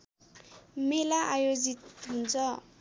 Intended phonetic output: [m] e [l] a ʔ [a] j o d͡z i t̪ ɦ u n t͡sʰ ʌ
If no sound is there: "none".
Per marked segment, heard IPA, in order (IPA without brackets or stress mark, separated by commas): m, l, a